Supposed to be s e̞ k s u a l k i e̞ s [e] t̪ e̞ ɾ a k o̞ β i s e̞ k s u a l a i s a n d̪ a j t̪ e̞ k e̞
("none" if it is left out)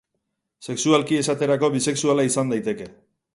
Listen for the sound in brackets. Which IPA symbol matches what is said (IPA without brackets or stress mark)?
a